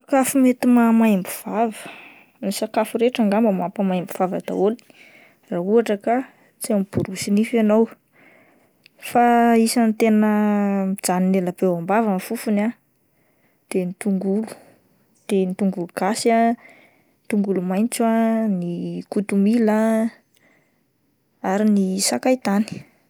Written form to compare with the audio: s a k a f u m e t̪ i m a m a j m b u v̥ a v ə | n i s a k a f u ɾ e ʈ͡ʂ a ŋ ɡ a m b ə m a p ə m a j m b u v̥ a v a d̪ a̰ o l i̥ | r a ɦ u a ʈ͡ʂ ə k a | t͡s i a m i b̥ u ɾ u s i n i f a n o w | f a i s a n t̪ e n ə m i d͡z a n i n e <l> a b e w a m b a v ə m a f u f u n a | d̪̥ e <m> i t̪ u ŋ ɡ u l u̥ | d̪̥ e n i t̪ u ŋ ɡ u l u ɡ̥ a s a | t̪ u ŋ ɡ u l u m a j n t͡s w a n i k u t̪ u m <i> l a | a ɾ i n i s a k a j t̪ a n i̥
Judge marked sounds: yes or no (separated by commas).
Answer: yes, no, yes